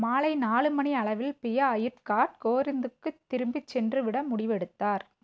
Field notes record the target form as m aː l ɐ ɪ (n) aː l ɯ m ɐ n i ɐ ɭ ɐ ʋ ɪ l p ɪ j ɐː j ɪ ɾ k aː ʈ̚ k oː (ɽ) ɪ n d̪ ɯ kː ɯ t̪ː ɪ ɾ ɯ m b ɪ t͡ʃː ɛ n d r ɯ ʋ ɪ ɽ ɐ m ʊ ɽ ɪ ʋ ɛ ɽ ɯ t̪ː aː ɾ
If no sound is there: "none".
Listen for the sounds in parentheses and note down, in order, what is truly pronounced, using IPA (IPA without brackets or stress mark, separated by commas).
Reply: n, ɾ